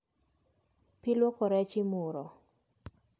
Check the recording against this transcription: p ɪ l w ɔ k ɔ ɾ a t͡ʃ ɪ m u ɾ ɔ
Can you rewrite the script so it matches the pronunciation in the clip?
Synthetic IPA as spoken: p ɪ l w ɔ k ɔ ɾ ɛ t͡ʃ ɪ m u ɾ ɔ